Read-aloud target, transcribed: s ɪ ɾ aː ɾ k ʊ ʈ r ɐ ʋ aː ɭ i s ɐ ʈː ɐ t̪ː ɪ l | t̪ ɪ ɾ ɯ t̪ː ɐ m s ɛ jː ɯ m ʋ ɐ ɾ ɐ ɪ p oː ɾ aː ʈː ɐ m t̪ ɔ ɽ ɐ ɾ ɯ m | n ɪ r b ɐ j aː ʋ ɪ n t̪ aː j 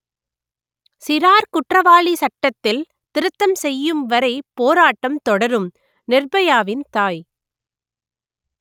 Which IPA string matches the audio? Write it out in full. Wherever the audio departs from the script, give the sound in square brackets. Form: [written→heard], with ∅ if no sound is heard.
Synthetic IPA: s ɪ ɾ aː ɾ k ʊ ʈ r ɐ ʋ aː ɭ i s ɐ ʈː ɐ t̪ː ɪ l | t̪ ɪ ɾ ɯ t̪ː ɐ m s ɛ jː ɯ m ʋ ɐ ɾ ɐ ɪ p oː ɾ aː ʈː ɐ m t̪ ɔ ɽ ɐ ɾ ɯ m | n ɪ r b ɐ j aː ʋ ɪ n t̪ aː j